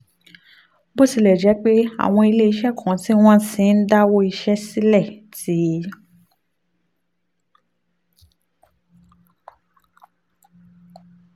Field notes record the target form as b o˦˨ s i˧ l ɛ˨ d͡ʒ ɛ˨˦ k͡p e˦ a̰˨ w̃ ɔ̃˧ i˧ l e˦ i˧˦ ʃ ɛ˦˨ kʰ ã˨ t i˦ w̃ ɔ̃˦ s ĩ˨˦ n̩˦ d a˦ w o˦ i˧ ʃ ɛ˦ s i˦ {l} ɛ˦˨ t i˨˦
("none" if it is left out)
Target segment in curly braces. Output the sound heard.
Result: l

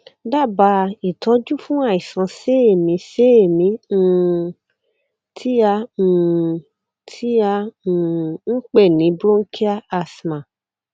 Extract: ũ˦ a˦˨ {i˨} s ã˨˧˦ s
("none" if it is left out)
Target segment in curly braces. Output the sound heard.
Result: i˨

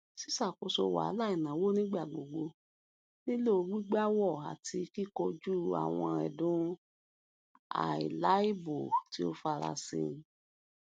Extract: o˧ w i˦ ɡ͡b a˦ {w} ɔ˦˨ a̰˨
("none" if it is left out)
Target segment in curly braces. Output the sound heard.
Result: w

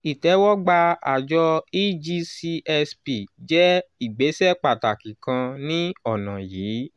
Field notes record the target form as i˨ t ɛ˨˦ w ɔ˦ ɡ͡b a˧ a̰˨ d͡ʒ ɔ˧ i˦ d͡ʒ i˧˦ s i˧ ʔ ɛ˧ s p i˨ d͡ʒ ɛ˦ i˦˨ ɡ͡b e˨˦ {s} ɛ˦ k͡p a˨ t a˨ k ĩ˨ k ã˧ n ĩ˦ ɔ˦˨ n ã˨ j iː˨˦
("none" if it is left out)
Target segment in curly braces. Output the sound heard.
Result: s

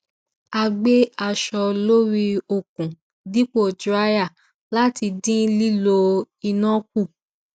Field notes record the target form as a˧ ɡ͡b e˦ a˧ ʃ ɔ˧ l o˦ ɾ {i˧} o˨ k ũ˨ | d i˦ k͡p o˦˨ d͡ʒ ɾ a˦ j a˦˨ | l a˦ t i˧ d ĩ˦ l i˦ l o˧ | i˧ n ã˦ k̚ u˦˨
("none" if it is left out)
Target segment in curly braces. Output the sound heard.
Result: i˧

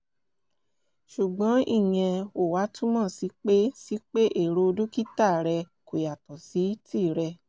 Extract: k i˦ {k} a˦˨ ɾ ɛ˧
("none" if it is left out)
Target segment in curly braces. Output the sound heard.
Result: t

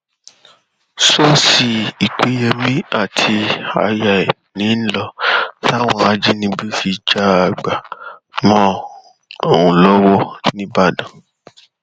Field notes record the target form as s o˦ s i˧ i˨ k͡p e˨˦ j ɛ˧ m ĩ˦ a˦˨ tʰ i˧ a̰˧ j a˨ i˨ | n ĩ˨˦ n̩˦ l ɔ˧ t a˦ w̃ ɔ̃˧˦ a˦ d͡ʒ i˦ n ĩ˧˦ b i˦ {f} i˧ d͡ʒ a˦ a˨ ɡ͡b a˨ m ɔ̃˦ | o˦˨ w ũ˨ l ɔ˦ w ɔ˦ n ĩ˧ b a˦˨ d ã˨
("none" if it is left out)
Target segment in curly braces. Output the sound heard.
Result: f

